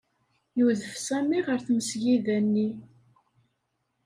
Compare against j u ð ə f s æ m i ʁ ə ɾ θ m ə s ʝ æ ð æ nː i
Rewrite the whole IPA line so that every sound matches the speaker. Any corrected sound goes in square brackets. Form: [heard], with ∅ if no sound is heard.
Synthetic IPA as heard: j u ð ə f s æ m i ʁ ə ɾ θ m ə s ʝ [i] ð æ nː i